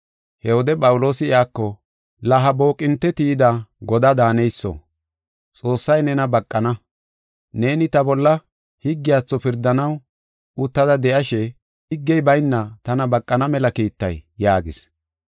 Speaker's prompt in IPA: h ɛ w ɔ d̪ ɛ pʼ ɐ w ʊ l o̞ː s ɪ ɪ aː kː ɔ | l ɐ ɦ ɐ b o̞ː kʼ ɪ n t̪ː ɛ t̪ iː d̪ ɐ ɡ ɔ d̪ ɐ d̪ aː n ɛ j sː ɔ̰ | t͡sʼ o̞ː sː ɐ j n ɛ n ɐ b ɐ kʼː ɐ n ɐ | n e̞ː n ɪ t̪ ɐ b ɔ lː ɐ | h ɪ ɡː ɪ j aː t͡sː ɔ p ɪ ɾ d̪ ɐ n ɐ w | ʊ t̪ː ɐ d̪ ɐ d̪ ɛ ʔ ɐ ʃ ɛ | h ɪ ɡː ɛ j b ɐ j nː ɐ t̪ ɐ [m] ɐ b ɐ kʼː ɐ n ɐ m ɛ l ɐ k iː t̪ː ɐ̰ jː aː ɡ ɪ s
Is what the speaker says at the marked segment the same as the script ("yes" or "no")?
no